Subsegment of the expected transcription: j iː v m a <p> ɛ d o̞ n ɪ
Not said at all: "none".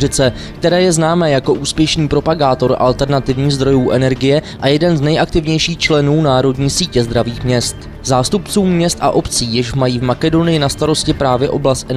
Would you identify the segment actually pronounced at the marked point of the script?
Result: k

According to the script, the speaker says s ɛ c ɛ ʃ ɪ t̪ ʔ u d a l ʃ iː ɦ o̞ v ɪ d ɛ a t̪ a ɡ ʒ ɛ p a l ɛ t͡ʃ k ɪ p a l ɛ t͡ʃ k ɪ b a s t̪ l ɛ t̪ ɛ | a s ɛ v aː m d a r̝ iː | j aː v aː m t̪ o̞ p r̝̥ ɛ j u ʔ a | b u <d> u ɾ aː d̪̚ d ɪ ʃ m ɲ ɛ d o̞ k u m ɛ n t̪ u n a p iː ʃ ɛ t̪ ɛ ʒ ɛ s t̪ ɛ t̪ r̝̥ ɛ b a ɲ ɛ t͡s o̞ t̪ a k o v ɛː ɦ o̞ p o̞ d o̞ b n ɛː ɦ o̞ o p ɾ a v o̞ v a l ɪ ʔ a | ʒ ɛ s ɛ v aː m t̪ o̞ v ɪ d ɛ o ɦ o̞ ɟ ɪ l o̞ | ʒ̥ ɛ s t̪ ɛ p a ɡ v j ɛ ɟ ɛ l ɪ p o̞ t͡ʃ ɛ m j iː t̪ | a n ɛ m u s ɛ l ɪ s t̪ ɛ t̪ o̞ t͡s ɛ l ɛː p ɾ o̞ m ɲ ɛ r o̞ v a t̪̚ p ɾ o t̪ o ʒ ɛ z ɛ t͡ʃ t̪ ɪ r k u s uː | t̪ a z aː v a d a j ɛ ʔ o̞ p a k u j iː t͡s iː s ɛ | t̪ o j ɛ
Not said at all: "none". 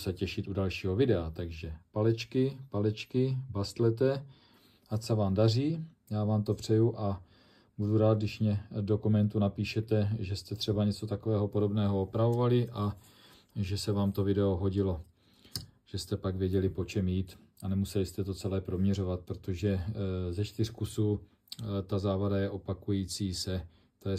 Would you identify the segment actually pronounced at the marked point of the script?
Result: d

